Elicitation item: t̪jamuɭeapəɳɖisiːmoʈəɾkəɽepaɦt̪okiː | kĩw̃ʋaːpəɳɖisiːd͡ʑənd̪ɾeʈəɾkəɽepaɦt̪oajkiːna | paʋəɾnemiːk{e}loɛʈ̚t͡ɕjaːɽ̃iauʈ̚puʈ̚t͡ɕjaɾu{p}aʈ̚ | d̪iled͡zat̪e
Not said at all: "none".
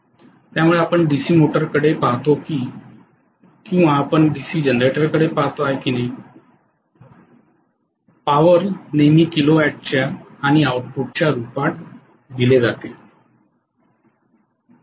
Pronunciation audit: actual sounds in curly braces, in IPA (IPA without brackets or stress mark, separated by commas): i, p